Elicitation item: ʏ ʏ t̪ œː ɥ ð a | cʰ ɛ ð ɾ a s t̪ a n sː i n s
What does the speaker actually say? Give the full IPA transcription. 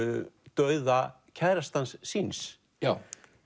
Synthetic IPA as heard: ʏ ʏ t̪ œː ɥ ð a | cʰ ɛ ð ɾ a s t̪ a n sː i n s

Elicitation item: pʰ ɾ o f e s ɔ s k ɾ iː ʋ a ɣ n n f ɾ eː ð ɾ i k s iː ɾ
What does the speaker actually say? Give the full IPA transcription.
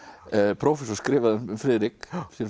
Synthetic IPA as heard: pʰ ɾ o f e s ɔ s k ɾ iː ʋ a ð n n f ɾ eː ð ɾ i k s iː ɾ

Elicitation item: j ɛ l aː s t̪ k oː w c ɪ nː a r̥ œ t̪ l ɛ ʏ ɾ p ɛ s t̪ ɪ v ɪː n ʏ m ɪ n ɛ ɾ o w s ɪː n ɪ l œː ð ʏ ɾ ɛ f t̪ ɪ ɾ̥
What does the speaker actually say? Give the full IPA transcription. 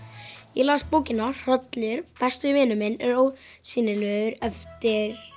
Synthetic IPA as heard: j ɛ l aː s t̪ p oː w c ɪ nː a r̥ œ t̪ l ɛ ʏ ɾ p ɛ s t̪ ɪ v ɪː n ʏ m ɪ n ɛ ɾ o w s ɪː n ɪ l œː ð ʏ ɾ ɛ f t̪ ɪ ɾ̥

